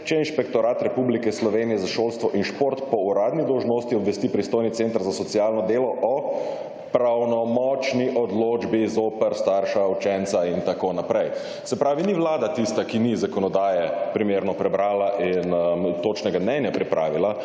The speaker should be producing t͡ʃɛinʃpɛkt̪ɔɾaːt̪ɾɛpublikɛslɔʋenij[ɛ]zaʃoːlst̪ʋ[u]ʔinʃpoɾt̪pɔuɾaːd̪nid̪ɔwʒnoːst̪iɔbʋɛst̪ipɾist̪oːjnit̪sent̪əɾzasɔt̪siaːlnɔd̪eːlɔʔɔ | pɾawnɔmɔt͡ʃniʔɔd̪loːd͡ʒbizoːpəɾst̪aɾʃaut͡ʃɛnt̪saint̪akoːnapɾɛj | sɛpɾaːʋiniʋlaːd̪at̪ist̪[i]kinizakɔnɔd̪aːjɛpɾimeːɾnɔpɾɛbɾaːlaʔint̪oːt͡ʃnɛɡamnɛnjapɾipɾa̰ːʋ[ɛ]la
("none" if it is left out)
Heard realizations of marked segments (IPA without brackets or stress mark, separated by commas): ɛ, ɔ, a, i